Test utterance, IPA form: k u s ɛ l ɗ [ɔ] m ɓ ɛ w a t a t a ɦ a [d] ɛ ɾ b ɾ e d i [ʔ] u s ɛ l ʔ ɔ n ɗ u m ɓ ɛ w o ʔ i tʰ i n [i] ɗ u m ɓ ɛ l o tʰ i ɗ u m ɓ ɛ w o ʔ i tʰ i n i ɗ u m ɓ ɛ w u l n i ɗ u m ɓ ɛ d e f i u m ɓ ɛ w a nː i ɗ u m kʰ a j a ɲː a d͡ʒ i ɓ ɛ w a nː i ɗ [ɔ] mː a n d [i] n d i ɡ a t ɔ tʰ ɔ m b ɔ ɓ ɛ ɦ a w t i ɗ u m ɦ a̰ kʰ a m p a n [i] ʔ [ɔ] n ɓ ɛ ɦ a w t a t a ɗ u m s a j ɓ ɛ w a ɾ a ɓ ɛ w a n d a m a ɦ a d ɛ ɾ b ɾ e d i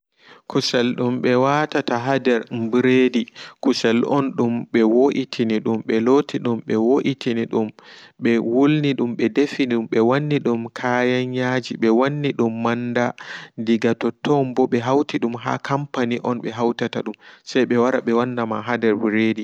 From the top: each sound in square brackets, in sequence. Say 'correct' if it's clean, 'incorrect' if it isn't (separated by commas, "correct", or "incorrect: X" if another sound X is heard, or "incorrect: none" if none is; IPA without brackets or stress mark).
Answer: incorrect: u, correct, incorrect: k, correct, incorrect: u, incorrect: a, correct, correct